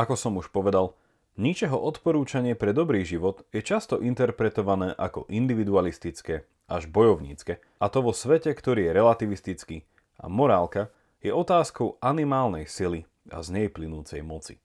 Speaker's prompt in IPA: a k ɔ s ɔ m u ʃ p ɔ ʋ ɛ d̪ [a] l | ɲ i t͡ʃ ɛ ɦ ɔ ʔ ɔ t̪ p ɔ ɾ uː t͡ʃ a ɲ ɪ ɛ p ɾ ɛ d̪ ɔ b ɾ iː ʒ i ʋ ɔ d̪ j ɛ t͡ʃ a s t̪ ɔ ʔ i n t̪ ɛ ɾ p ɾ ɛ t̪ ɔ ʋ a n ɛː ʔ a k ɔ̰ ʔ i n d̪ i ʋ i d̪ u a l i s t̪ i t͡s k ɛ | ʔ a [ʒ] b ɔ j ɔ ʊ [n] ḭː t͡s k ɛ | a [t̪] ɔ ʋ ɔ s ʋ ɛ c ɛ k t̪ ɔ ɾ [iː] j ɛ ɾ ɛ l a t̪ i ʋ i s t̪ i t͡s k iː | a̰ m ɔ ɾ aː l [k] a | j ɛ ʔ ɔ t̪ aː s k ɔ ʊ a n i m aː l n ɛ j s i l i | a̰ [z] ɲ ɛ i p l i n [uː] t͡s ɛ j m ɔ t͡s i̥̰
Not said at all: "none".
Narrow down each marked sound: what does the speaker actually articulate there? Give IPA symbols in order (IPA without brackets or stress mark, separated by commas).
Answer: a, ʒ, ɲ, t̪, iː, k, z, uː